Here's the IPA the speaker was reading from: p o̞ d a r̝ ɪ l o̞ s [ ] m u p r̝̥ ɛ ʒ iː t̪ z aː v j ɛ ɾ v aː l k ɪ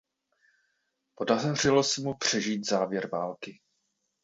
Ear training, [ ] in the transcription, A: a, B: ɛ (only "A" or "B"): B